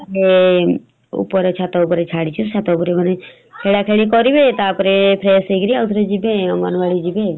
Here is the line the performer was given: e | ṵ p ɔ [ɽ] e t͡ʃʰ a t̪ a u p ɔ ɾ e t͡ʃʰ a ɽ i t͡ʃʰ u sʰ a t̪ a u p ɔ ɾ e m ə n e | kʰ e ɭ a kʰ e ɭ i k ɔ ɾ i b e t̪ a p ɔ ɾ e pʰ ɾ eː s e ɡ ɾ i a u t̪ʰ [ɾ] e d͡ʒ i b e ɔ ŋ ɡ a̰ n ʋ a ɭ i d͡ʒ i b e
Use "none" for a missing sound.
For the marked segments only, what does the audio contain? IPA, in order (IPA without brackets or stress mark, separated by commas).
ɾ, ɾ